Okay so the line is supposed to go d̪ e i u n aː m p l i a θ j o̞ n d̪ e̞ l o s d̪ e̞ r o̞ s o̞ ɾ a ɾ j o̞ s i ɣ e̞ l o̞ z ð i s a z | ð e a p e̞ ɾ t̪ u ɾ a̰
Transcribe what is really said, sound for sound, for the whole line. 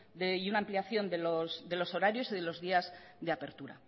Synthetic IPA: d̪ e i u n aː m p l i a θ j o̞ n d̪ e̞ l o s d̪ e̞ l o̞ s o̞ ɾ a ɾ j o̞ s i ð e̞ l o̞ z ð i a z | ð e a p e̞ ɾ t̪ u ɾ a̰